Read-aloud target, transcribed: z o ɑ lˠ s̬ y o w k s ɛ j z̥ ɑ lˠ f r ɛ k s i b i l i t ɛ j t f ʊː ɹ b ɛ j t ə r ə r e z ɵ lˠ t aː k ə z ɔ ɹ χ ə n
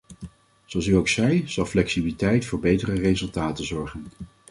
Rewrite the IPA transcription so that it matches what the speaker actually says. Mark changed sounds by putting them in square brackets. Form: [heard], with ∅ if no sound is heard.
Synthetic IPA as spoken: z o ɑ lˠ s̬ y o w k s ɛ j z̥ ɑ lˠ f [l] ɛ k s i b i l i t ɛ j t f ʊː ɹ b [e] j t ə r ə r e z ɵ lˠ t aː [t] ə z ɔ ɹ χ ə n